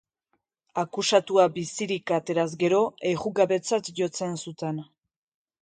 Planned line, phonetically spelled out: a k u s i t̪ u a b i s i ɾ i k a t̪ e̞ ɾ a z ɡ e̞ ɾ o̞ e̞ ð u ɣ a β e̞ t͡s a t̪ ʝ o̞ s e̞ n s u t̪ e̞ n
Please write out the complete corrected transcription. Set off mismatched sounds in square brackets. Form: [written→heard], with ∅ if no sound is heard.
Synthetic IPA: a k u s [i→a] t̪ u a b i s i ɾ i k a t̪ e̞ ɾ a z ɡ e̞ ɾ o̞ e̞ [ð→ɣ] u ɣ a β e̞ t͡s a t̪ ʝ o̞ [s→t͡s] e̞ n s u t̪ e̞ n